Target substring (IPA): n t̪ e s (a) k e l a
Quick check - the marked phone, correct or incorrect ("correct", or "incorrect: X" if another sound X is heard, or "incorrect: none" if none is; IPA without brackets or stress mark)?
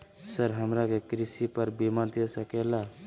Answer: incorrect: ə